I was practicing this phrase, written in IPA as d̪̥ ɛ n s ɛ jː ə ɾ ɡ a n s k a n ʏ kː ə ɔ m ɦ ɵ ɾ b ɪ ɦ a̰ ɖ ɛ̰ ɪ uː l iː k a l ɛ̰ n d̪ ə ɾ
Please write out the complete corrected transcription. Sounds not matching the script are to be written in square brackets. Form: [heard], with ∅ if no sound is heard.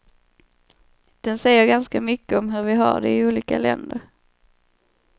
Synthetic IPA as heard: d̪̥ ɛ n s ɛ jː ə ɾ ɡ a n s k a [m] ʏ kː ə ɔ m ɦ ɵ ɾ [v] ɪ ɦ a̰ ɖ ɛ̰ ɪ uː l iː k a l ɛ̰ n d̪ ə ɾ